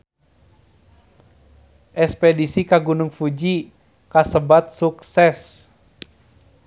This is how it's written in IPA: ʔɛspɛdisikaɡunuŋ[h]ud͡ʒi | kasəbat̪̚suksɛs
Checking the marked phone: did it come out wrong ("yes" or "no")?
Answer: yes